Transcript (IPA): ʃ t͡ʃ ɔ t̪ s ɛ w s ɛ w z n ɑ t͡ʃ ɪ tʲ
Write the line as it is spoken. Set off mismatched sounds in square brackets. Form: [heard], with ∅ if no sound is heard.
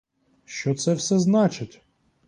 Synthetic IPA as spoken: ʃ t͡ʃ ɔ t̪ s ɛ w s ɛ [∅] z n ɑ t͡ʃ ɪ tʲ